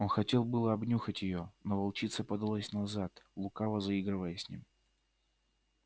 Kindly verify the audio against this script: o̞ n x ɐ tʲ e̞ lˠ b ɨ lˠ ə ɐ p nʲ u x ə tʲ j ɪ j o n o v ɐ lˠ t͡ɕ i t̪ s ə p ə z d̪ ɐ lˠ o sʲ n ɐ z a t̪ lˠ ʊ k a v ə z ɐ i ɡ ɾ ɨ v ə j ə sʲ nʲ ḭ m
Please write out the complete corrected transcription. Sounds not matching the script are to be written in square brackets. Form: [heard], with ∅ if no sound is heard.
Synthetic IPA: o̞ n x ɐ tʲ e̞ lˠ b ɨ lˠ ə ɐ [b] nʲ u x ə tʲ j ɪ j o n o v ɐ lˠ t͡ɕ i t̪ s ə p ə [∅] d̪ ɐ lˠ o sʲ n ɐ z a t̪ lˠ ʊ k a v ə z ɐ i ɡ ɾ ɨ v ə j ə sʲ nʲ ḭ m